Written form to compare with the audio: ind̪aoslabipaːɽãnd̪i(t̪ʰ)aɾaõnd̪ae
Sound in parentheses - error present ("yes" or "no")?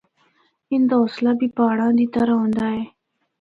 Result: yes